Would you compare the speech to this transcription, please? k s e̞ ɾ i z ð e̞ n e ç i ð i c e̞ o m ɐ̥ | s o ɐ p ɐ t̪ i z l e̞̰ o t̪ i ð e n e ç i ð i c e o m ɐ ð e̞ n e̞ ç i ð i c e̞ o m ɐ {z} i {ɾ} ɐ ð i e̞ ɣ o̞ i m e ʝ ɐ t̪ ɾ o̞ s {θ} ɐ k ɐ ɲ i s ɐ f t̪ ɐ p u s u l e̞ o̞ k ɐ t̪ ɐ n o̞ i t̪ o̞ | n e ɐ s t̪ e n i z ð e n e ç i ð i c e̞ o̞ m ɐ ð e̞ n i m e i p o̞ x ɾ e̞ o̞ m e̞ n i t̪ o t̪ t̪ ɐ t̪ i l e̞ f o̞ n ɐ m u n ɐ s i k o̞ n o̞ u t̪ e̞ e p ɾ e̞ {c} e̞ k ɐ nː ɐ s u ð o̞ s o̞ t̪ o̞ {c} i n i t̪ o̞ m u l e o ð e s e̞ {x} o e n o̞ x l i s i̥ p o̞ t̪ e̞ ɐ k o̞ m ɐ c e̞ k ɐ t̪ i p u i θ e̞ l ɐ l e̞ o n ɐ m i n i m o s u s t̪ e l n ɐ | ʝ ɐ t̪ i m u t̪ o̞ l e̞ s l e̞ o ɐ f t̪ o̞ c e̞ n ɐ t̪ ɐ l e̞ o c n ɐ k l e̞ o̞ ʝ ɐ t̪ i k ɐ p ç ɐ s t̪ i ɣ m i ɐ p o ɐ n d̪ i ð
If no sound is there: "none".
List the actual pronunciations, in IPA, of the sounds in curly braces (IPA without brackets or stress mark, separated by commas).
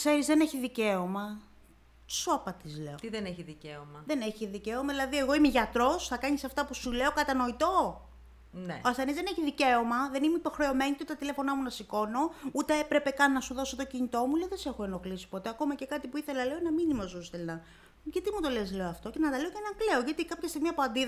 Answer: ð, l, θ, p, c, x